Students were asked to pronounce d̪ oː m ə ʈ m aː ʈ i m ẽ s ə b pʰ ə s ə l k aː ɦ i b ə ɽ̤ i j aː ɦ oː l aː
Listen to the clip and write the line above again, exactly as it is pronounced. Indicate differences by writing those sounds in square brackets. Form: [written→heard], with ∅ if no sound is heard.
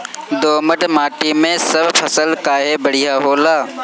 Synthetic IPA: d̪ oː m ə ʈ m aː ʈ i m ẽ s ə b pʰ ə s ə l k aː ɦ [i→e] b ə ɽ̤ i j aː ɦ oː l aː